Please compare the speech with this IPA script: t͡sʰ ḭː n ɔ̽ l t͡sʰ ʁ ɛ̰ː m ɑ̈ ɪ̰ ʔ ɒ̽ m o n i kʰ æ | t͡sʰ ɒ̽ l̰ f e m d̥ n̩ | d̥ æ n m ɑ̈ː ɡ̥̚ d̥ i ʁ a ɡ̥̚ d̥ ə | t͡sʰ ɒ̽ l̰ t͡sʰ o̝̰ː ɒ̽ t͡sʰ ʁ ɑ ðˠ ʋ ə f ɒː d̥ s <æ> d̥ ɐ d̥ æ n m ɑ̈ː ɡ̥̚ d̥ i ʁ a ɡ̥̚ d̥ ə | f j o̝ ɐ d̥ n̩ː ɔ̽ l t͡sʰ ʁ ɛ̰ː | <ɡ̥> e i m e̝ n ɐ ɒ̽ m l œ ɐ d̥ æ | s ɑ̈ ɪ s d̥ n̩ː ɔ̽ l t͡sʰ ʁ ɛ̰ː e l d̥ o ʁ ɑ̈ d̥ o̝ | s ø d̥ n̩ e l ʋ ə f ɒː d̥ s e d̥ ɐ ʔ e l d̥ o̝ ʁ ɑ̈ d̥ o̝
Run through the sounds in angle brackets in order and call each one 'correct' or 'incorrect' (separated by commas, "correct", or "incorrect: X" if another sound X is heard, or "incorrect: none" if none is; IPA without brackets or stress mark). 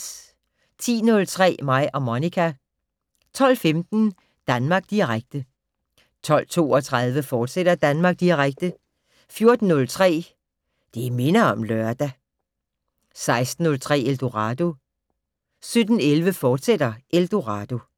incorrect: e, incorrect: d̥